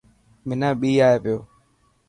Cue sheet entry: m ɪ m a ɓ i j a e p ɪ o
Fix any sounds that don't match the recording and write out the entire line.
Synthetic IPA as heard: m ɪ n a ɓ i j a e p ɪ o